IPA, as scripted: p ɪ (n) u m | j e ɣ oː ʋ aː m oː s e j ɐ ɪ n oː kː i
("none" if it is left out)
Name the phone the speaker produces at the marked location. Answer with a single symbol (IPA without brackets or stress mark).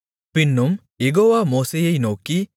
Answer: nː